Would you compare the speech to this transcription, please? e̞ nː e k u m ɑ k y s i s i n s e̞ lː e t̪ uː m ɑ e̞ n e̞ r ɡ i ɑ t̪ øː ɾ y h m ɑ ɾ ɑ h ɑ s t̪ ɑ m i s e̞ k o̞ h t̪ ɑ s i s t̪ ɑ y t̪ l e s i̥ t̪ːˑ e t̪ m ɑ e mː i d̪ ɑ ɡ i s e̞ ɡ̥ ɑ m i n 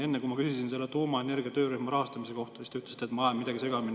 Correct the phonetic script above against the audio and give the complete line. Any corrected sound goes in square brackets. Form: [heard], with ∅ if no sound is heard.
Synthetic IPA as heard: e̞ nː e k u m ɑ k y s i s i n s e̞ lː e t̪ uː m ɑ e̞ n e̞ r ɡ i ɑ t̪ øː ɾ y h m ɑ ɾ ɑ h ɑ s t̪ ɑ m i s e̞ k o̞ h t̪ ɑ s i s t̪ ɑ y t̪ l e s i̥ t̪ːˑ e t̪ m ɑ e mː i d̪ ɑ ɡ i s e̞ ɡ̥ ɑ m i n